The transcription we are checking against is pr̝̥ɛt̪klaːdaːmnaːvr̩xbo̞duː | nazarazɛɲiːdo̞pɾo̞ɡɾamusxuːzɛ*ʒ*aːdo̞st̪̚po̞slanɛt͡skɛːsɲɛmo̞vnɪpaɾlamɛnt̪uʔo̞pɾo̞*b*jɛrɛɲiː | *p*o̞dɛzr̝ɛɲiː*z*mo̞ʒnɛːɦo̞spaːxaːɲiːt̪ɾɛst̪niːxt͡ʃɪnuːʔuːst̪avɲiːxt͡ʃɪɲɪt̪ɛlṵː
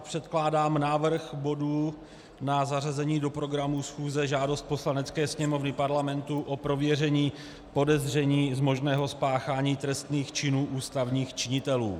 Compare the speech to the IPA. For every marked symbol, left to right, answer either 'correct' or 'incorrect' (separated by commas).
correct, incorrect, correct, correct